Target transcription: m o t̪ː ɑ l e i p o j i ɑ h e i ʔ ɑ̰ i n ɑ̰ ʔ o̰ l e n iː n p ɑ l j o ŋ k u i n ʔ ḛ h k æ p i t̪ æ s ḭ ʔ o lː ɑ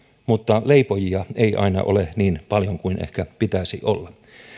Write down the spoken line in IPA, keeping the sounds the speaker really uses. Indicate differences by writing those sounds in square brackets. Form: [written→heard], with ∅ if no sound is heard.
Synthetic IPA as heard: m [o→u] t̪ː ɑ l e i p o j i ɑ [h→∅] e i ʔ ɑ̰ i n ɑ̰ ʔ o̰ l e n iː n p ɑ l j o ŋ k u i n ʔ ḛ h k æ p i t̪ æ s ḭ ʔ o lː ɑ